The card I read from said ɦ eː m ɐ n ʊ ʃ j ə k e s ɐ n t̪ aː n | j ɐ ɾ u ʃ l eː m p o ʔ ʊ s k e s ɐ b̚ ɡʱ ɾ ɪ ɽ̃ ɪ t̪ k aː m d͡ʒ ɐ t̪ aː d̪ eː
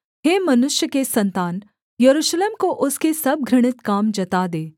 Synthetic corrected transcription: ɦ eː m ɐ n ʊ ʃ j ə k e s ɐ n t̪ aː n | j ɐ ɾ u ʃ l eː m k o ʔ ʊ s k e s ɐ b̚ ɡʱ ɾ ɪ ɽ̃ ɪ t̪ k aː m d͡ʒ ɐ t̪ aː d̪ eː